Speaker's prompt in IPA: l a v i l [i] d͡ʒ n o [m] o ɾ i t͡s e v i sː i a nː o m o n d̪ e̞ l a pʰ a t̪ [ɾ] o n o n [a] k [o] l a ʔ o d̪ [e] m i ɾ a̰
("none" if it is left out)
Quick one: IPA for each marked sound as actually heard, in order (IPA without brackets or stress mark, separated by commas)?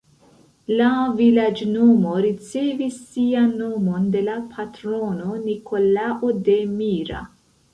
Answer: a, m, ɾ, i, o, e